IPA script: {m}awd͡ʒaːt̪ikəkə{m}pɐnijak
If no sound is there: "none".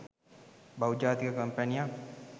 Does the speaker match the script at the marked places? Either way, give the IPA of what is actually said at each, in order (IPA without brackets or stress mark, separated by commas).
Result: b, m